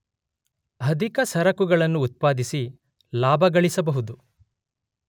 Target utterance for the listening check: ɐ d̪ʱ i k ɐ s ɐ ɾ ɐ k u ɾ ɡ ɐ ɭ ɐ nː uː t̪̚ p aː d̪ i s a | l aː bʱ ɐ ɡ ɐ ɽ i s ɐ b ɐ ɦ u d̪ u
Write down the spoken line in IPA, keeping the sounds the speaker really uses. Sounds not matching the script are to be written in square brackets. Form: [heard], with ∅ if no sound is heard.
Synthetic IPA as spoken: ɐ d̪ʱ i k ɐ s ɐ ɾ ɐ k u [∅] ɡ ɐ ɭ ɐ nː uː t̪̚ p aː d̪ i s [i] | l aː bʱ ɐ ɡ ɐ [ɭ] i s ɐ b ɐ ɦ u d̪ u